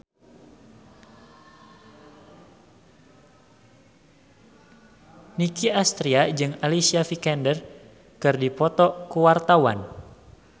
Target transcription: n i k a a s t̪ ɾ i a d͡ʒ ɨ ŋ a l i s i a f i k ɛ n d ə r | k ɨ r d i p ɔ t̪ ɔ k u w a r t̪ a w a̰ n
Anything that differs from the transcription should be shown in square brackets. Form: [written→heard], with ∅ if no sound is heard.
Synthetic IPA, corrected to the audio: n i k [a→i] a s t̪ ɾ i a d͡ʒ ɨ ŋ a l i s i a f i k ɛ n d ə r | k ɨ r d i p ɔ t̪ ɔ k u w a r t̪ a w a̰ n